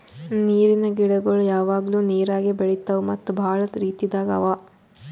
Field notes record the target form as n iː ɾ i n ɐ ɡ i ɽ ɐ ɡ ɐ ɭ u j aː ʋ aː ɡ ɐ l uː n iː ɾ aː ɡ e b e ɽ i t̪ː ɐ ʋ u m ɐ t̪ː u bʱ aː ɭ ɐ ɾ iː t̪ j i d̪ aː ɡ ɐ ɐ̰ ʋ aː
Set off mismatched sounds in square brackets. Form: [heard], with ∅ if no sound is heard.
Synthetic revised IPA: n iː ɾ i n ɐ ɡ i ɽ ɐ ɡ ɐ ɭ u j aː ʋ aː ɡ ɐ l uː n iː ɾ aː ɡ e b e [ɭ] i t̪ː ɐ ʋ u m ɐ t̪ː u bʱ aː ɭ ɐ ɾ iː t̪ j i d̪ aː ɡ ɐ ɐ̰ ʋ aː